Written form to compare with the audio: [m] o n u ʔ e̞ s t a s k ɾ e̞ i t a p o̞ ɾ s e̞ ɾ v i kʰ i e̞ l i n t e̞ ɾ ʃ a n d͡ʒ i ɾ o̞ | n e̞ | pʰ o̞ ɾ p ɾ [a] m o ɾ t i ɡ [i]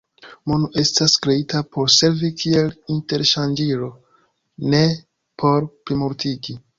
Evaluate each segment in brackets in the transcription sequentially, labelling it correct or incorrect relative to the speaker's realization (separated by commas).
correct, incorrect, correct